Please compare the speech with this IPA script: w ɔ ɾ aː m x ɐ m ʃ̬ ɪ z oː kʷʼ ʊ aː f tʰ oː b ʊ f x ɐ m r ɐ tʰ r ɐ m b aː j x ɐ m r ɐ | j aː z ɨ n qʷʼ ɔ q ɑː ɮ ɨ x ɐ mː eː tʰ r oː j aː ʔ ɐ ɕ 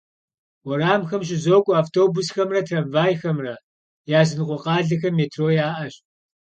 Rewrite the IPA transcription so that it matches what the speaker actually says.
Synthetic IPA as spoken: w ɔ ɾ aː m x ɐ m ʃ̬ ɪ z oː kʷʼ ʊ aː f tʰ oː b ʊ s x ɐ m r ɐ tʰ r ɐ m v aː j x ɐ m r ɐ | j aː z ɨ n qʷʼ ɔ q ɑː ɮ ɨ x ɐ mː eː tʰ r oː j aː ʔ ɐ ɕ

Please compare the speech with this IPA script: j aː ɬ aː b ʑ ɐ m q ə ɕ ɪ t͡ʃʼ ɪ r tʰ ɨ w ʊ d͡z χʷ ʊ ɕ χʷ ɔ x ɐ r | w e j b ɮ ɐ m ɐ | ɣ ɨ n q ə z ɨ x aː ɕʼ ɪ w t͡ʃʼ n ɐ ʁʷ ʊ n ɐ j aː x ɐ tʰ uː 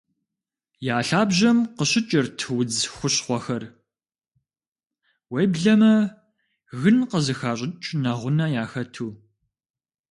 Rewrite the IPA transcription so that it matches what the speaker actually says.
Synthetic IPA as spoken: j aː ɬ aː b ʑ ɐ m q ə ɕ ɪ t͡ʃʼ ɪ r tʰ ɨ w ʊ d͡z xʷ ʊ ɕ χʷ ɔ x ɐ r | w e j b ɮ ɐ m ɐ | ɣ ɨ n q ə z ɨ x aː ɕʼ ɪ t͡ʃʼ n ɐ ʁʷ ʊ n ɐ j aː x ɐ tʰ uː

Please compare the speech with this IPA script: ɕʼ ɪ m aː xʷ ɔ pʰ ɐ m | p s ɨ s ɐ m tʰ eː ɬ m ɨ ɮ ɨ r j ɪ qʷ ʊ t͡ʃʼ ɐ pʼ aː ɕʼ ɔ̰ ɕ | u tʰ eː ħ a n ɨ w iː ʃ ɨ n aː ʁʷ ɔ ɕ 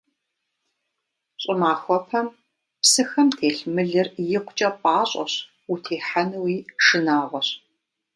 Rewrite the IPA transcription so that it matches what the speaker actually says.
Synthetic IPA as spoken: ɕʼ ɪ m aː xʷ ɔ pʰ ɐ m | p s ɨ x ɐ m tʰ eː ɬ m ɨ ɮ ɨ r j ɪ qʷ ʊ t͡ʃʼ ɐ pʼ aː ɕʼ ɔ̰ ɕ | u tʰ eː ħ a n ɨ w iː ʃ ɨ n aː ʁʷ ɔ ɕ

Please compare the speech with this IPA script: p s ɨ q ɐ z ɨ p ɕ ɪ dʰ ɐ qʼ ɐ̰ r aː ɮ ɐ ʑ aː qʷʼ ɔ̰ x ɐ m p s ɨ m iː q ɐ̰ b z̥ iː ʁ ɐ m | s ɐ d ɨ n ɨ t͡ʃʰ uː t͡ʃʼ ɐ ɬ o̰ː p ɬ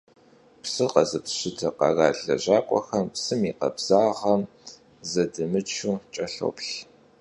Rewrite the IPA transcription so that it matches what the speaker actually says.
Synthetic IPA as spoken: p s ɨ q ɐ z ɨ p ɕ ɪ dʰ ɐ q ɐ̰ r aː ɮ ɐ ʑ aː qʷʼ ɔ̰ x ɐ m p s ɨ m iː q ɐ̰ b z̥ aː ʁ ɐ m | z ɐ d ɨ m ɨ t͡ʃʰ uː t͡ʃʼ ɐ ɬ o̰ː p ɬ

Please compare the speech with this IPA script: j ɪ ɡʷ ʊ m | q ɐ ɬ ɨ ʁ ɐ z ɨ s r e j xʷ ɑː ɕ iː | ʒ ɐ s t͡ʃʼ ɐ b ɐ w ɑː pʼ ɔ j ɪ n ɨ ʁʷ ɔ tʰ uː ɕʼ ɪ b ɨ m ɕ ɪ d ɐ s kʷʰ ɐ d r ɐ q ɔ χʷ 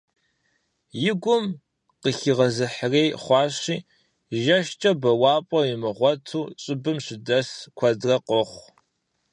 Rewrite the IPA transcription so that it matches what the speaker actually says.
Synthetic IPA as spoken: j ɪ ɡʷ ʊ m | q ə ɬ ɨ ʁ ɐ z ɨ ħ r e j χʷ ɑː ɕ iː | ʒ ɐ ʃ t͡ʃʼ ɐ b ɐ w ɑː pʼ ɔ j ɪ m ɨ ʁʷ ɔ tʰ uː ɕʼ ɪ b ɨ m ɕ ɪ d ɐ s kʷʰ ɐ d r ɐ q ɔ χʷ

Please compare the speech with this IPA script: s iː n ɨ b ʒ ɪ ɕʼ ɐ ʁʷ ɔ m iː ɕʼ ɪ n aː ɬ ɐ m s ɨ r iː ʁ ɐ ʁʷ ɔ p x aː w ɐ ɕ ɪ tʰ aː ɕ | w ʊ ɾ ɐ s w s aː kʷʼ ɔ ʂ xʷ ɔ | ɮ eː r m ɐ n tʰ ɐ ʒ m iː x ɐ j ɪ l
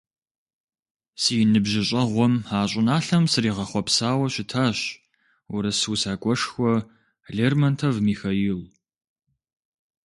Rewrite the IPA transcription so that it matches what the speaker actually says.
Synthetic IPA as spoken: s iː n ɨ b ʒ ɪ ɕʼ ɐ ʁʷ ɔ m aː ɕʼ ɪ n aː ɬ ɐ m s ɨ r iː ʁ ɐ χʷ ɔ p s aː w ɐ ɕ ɪ tʰ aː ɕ | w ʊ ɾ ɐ s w s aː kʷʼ ɔ ʂ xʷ ɔ | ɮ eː r m ɐ n tʰ ɐ v m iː x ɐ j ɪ l

